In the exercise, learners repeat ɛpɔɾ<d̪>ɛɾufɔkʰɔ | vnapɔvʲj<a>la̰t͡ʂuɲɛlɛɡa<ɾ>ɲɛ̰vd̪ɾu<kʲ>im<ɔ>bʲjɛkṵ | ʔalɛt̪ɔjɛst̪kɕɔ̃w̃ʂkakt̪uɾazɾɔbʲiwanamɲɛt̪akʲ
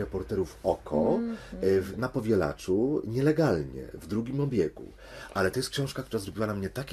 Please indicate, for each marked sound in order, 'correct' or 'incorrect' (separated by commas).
incorrect, incorrect, incorrect, incorrect, correct